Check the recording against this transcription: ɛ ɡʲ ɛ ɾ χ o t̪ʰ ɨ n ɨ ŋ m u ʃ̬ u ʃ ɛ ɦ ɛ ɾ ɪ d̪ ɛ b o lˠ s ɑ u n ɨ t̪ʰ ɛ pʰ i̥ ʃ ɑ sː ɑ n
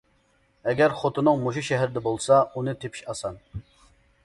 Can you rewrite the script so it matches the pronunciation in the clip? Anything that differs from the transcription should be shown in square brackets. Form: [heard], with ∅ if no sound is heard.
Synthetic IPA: ɛ ɡʲ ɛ ɾ χ o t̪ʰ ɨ n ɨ ŋ m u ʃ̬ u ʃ ɛ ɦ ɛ ɾ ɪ d̪ ɛ b o lˠ s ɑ u n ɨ t̪ʰ [e] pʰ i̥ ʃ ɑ [s] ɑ n